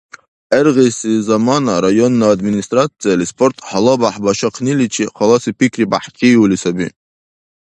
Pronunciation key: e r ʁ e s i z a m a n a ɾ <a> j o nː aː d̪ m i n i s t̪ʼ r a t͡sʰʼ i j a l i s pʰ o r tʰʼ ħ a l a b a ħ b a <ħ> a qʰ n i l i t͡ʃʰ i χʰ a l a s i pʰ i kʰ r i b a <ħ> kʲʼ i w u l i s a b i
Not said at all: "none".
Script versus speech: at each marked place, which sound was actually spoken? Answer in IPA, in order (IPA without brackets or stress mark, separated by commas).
a, ʃ, ħ